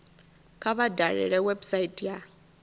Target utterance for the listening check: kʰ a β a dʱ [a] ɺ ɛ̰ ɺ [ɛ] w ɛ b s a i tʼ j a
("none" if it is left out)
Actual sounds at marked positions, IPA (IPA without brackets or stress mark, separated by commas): a, ɛ